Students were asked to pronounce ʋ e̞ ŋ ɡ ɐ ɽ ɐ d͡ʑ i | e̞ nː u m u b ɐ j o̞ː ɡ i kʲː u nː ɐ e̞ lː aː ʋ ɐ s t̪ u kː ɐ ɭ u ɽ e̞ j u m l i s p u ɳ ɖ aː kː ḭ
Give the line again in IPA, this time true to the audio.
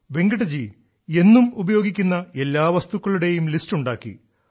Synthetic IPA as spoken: ʋ e̞ ŋ ɡ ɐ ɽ ɐ d͡ʑ i | e̞ nː u m u b ɐ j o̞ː ɡ i kʲː u nː ɐ e̞ lː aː ʋ ɐ s t̪ u kː ɐ ɭ u ɽ e̞ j u m l i s t u ɳ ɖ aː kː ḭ